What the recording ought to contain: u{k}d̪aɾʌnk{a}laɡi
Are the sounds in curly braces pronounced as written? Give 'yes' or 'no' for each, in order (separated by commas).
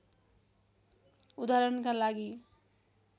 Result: no, yes